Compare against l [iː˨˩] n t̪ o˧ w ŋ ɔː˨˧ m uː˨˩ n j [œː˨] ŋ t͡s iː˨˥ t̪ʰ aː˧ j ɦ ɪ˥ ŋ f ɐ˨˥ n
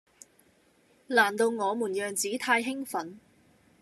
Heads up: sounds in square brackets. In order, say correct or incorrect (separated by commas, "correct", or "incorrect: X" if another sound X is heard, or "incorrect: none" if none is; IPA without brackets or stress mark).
incorrect: aː˨˩, correct